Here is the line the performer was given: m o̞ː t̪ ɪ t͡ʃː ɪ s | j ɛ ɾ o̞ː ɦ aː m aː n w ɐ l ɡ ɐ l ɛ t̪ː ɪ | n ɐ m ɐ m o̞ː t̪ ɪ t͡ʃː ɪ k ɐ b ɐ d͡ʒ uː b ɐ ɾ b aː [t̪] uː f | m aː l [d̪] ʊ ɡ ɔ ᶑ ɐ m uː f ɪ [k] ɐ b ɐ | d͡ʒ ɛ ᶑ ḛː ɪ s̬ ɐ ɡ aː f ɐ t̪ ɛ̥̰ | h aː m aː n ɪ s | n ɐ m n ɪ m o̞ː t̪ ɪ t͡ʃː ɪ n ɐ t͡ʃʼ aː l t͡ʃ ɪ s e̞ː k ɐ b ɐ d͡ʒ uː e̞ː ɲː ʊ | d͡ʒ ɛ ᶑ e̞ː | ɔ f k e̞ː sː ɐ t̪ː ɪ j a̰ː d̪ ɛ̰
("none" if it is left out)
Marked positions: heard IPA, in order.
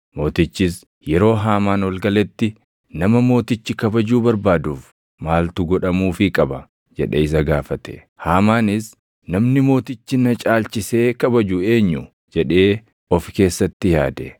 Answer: d̪, t̪, kʼ

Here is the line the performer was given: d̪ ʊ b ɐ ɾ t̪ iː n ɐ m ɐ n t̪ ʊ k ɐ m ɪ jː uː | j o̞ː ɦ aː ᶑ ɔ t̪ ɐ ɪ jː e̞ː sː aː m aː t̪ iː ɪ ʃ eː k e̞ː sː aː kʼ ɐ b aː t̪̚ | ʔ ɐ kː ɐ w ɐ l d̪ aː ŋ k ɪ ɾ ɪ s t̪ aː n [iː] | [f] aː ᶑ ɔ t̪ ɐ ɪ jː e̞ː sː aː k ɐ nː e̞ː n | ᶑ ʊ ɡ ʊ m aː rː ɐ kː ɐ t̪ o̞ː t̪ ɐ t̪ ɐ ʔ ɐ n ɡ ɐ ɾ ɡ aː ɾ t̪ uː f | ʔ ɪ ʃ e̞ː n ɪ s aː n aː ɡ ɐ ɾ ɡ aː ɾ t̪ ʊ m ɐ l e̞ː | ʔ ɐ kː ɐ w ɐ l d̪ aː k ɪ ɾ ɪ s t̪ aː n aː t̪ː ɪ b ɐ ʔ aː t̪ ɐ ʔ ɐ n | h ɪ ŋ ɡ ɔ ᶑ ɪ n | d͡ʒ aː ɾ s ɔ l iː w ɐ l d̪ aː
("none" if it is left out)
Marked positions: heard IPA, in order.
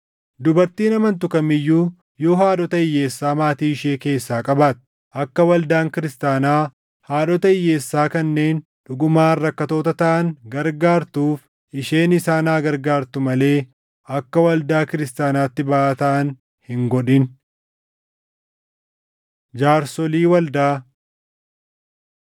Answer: aː, h

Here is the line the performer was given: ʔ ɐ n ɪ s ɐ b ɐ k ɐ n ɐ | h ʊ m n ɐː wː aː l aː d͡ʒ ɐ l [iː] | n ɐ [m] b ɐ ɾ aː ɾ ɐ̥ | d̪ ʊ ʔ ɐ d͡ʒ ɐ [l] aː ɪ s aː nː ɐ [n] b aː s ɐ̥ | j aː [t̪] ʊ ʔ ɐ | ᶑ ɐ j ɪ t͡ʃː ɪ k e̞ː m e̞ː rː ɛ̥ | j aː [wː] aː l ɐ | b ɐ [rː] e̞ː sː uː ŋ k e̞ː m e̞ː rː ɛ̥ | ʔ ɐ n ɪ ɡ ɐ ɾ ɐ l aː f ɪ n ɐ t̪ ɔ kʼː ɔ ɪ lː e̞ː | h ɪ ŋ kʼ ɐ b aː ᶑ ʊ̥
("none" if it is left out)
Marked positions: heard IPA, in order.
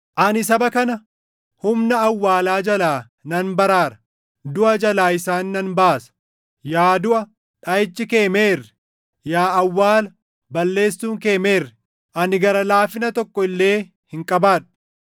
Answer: aː, n, l, n, d̪, wː, lː

